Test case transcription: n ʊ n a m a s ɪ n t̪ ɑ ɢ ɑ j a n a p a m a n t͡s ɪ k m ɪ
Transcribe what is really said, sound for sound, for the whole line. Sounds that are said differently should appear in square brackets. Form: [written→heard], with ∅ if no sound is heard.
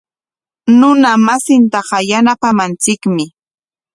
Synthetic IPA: n ʊ n a m a s ɪ n t̪ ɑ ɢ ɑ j a n a p a m a n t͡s ɪ k m ɪ